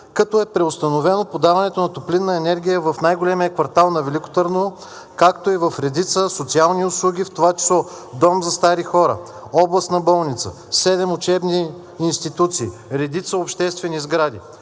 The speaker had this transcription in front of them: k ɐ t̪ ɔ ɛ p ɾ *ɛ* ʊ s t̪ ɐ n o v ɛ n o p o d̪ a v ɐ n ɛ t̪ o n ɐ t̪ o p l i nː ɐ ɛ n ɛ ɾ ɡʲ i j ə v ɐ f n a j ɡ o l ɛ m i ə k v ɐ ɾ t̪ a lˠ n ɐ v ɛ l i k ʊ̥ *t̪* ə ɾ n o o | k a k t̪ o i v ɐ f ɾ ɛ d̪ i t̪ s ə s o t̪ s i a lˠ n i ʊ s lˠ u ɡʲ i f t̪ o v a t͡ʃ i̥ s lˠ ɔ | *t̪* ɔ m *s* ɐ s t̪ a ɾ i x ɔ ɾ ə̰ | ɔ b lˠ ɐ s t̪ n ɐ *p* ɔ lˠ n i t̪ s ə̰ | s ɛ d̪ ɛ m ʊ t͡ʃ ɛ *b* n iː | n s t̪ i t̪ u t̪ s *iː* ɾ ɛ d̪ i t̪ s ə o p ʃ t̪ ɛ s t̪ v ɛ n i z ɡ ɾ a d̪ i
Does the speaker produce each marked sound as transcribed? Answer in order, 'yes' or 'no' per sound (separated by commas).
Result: yes, yes, no, no, no, yes, yes